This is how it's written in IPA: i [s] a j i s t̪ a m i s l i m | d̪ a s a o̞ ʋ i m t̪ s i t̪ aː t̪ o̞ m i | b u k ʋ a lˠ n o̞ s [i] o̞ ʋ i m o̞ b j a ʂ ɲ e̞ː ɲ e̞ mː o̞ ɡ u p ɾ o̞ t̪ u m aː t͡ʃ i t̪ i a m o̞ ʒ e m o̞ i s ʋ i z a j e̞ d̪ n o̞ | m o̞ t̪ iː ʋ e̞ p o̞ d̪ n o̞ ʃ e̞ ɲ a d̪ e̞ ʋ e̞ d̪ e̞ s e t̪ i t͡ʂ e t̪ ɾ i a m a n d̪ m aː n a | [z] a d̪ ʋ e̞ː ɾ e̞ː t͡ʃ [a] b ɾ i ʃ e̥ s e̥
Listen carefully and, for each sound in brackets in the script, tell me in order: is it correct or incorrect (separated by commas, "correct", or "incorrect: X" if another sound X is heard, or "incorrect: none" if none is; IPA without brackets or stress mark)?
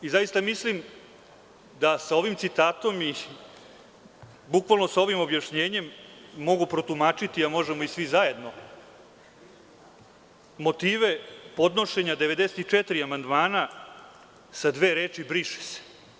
incorrect: z, incorrect: a, incorrect: s, incorrect: i